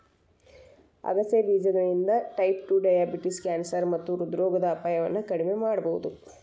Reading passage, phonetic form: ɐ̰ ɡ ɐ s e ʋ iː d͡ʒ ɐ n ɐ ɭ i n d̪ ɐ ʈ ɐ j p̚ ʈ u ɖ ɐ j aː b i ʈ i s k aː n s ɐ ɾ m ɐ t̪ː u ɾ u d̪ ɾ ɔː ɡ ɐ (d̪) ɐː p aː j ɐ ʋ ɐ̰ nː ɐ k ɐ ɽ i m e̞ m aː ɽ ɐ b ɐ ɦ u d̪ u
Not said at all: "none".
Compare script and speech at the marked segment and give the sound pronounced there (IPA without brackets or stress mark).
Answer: d̪